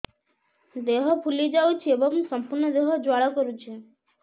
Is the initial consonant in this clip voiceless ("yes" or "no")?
no